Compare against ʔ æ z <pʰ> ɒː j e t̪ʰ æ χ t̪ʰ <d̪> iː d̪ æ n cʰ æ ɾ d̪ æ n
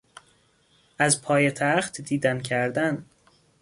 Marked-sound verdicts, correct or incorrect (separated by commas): correct, correct